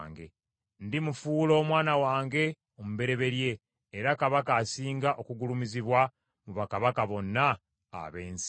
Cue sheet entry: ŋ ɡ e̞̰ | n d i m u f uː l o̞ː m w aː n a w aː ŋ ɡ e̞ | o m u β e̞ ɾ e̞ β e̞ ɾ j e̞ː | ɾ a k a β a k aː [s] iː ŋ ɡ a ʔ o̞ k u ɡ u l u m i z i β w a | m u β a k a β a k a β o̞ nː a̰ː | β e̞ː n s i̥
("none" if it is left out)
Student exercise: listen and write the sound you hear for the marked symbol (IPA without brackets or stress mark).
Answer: s